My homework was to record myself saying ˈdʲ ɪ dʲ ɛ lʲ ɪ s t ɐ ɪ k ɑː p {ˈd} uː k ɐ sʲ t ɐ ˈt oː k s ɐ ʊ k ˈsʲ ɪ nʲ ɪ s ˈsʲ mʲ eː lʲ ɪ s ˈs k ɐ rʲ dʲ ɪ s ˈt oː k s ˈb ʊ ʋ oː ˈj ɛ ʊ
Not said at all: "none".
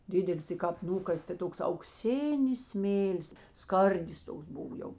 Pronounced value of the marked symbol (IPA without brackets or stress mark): n